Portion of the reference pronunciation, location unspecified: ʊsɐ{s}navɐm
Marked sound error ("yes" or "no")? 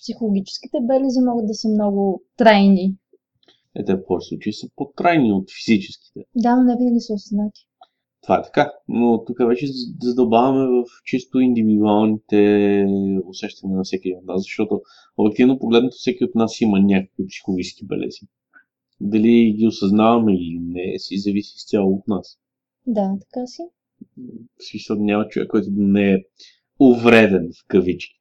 yes